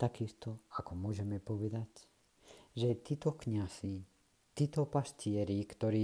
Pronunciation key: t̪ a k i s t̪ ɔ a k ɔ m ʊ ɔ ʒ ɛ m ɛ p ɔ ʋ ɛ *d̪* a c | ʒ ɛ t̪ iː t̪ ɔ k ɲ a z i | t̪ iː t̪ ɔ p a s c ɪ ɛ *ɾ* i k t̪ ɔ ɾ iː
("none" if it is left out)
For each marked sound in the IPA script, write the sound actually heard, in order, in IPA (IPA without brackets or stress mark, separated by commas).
d̪, ɾ